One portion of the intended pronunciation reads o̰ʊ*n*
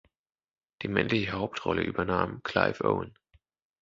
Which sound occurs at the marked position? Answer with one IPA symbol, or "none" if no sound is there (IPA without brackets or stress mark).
n